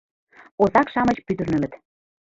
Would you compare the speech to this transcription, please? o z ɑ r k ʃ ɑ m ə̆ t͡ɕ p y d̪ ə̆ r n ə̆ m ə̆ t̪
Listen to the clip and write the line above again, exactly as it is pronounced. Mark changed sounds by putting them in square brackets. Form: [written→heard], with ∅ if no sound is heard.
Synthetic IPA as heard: o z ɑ [r→∅] k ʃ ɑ m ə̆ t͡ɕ p y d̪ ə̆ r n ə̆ m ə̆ t̪